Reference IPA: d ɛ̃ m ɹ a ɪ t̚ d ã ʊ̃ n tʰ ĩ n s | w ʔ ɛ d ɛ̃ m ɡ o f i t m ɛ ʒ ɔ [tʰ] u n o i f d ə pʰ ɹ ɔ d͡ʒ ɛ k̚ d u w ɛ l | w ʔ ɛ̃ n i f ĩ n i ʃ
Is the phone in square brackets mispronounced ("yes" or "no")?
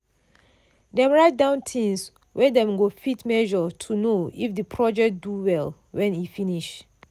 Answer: no